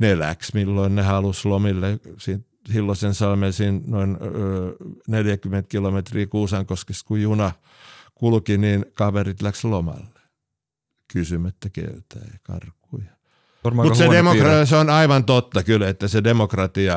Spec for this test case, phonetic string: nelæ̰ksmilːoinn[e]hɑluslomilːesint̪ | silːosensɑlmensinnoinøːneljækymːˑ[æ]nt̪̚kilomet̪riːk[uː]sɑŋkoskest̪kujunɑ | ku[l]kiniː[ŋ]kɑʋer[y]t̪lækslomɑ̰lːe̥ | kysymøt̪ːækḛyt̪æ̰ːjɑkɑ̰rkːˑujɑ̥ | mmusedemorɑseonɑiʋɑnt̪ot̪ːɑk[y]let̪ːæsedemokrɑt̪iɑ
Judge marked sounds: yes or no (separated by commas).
yes, no, yes, yes, no, no, yes